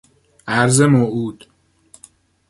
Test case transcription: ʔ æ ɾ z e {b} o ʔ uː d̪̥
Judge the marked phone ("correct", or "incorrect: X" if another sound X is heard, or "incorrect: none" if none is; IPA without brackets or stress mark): incorrect: m